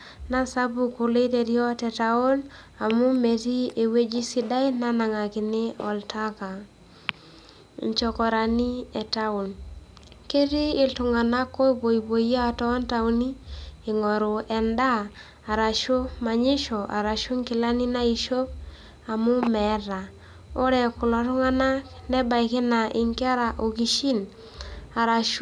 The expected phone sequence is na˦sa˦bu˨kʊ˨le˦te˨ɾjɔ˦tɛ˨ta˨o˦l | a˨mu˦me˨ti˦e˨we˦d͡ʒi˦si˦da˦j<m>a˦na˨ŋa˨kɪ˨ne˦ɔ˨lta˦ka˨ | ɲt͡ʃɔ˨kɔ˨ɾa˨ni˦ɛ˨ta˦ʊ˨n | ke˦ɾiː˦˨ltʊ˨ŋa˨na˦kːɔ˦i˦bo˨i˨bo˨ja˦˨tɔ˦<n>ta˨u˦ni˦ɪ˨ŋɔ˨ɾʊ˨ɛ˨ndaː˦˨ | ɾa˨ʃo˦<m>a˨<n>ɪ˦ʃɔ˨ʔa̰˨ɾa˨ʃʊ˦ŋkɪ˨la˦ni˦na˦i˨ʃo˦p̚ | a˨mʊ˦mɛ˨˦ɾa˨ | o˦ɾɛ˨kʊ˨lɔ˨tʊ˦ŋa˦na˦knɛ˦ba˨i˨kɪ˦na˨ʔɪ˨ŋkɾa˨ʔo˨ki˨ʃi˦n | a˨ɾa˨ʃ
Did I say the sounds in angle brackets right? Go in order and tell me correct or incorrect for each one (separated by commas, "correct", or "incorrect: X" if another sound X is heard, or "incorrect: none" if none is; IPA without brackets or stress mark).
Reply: incorrect: n, correct, correct, incorrect: ɲ